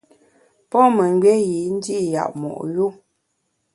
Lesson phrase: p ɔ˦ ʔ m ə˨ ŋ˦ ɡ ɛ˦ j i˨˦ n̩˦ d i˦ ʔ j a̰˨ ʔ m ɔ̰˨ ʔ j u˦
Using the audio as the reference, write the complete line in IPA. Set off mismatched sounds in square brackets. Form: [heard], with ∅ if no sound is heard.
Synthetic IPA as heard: p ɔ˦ [∅] m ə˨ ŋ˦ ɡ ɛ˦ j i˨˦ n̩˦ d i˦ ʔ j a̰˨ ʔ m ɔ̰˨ ʔ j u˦

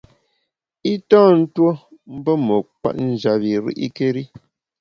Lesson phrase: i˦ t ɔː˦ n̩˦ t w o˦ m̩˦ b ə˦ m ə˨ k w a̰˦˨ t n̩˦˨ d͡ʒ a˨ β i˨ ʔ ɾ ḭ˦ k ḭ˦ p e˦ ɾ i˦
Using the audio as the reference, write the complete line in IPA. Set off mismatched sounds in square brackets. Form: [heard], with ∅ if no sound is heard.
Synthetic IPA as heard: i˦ t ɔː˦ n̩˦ t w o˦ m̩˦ b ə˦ m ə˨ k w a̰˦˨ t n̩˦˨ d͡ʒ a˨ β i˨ [∅] ɾ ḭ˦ [ʔ] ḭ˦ [k] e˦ ɾ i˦

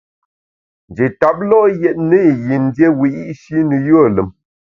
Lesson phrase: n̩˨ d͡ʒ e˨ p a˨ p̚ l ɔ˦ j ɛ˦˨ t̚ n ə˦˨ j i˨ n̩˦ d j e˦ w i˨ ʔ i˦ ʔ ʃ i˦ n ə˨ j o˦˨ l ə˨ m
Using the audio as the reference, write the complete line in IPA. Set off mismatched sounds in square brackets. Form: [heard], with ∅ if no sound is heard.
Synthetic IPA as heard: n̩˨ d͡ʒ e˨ [t] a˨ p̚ l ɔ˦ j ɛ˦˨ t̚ n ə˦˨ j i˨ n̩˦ d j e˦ w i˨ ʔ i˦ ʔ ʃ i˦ n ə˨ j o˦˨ l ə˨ m

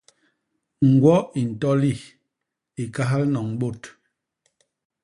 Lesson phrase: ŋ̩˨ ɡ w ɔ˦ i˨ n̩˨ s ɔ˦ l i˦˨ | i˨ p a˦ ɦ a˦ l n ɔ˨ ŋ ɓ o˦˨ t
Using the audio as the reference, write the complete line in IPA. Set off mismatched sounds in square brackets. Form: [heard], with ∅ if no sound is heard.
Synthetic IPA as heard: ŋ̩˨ ɡ w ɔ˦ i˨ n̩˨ [t] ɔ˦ l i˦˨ | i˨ [k] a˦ ɦ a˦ l n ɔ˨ ŋ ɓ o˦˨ t

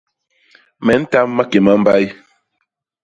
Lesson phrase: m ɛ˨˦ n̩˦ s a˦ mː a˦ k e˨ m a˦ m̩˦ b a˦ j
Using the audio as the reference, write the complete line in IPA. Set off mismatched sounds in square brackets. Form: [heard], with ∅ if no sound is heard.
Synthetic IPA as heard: m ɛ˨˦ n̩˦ [t] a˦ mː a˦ k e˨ m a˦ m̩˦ b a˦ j

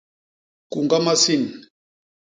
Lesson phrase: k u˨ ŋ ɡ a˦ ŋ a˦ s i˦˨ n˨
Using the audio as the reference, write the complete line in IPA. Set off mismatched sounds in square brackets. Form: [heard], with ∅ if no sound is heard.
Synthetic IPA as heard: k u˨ ŋ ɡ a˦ [m] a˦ s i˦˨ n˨

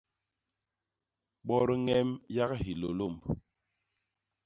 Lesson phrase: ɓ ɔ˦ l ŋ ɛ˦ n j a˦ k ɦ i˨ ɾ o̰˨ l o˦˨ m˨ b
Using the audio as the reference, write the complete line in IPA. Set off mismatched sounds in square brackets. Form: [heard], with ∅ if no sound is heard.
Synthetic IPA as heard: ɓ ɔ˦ [ɾ] ŋ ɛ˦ [m] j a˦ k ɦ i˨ [l] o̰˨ l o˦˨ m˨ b

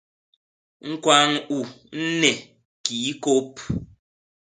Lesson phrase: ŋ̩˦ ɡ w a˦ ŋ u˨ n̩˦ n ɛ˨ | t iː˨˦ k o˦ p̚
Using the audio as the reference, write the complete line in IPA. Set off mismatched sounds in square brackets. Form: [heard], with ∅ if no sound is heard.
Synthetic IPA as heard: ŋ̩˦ [k] w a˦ ŋ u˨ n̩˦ n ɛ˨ | [k] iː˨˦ k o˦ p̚

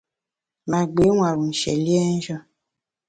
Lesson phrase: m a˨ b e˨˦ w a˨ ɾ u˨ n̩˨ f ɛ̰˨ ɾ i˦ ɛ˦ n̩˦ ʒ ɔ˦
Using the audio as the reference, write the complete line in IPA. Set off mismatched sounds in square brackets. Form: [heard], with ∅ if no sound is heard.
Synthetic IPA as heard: m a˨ [ɡ͡b] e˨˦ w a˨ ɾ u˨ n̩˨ [ʃ] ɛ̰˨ [l] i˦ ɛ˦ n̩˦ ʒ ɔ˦

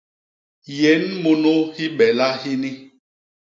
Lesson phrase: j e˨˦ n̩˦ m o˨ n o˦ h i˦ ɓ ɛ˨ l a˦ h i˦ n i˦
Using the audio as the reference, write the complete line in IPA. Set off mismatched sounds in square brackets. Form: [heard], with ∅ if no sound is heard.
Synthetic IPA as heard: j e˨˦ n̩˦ m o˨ n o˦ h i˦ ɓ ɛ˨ l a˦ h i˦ n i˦

